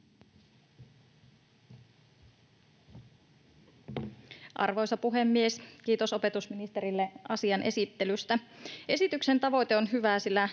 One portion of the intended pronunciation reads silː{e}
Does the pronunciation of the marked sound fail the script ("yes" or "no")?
yes